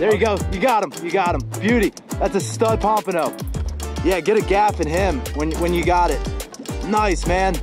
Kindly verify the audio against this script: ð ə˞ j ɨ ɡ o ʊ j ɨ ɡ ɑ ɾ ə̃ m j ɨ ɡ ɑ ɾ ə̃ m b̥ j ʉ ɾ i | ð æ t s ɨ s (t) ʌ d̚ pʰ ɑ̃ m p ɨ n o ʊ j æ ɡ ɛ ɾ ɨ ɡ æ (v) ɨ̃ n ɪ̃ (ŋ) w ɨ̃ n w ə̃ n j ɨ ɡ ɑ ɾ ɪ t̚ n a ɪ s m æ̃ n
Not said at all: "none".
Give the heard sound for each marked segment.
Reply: t, f, m

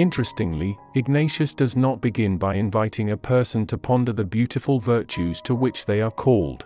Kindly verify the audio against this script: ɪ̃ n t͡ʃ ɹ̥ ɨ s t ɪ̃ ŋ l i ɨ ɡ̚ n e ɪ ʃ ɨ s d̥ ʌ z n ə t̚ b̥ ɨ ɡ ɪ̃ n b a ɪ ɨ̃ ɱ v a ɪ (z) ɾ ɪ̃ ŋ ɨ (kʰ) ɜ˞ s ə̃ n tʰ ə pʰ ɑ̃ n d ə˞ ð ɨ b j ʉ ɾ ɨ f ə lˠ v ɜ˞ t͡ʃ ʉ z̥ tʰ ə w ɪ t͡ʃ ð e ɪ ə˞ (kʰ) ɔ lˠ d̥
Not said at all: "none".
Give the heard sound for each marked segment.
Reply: none, pʰ, kʰ

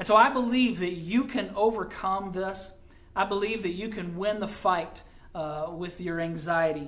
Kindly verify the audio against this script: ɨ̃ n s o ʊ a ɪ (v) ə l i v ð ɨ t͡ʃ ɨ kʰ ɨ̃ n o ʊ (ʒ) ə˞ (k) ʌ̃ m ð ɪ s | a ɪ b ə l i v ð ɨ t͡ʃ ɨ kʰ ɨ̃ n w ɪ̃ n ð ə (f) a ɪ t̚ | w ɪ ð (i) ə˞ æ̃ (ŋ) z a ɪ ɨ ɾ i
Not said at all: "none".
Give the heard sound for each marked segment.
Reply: b, v, kʰ, f, j, ŋ

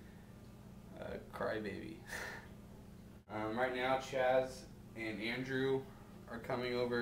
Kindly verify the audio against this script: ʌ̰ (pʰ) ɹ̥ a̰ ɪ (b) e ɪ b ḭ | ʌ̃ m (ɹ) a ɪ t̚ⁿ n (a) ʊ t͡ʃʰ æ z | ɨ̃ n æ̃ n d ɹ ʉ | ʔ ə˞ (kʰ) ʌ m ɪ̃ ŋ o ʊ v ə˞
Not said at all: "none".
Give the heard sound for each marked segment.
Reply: kʰ, b, ɹ, a, kʰ

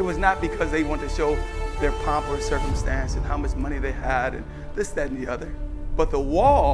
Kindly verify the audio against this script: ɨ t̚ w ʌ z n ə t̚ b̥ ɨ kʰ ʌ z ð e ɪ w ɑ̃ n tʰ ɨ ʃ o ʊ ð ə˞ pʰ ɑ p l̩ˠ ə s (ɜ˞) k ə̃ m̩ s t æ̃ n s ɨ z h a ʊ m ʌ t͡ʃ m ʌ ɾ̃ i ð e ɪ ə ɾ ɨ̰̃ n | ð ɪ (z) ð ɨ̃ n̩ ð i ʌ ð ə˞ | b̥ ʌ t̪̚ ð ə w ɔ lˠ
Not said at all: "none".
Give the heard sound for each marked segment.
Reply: ɜ˞, s

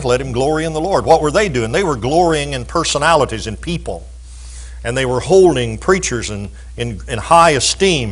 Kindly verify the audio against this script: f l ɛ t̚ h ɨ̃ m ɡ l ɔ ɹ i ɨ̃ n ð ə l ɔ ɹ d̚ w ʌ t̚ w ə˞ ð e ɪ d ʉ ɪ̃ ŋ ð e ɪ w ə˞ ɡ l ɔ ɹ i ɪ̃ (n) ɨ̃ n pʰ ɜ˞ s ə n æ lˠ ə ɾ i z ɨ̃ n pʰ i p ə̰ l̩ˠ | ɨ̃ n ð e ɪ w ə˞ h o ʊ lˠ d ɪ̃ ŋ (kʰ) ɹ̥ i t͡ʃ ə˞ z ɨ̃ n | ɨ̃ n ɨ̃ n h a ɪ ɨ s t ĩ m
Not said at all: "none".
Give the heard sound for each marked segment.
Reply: ŋ, pʰ

